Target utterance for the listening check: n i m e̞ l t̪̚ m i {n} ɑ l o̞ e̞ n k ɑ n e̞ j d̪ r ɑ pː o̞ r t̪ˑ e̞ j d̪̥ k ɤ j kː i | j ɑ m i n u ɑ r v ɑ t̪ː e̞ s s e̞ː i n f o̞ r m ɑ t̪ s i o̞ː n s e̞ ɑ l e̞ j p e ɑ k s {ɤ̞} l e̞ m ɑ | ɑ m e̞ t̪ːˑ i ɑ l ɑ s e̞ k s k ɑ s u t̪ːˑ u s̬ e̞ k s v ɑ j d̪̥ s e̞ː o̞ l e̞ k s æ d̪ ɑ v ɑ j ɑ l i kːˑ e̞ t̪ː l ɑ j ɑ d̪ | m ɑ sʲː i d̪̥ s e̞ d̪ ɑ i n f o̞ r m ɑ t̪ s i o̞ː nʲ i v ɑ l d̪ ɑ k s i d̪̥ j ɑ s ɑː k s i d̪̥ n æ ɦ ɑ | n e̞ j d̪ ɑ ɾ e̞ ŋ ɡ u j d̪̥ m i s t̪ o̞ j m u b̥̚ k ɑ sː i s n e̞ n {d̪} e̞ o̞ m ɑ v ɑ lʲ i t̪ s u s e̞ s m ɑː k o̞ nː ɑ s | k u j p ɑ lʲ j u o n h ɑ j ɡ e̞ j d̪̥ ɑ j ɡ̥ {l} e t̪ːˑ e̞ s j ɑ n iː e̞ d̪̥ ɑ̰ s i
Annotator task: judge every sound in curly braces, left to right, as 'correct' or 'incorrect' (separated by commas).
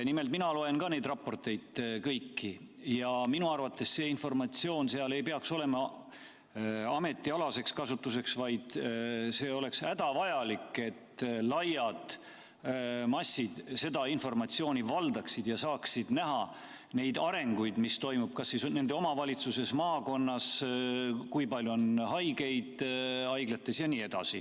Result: correct, incorrect, correct, correct